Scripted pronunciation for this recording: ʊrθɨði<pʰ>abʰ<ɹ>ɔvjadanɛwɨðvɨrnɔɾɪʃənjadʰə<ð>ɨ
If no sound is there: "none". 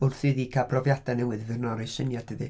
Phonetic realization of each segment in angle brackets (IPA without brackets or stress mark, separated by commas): kʰ, r, ð